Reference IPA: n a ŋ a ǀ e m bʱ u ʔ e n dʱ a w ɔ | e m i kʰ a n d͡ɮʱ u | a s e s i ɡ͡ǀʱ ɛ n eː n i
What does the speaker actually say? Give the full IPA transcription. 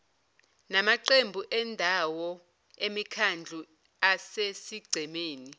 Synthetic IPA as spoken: n a m a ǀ e m bʱ u ʔ ɛ n dʱ a w ɔ | e m i kʰ a n d͡ɮʱ u | a s e s i ɡ͡ǀʱ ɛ m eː n i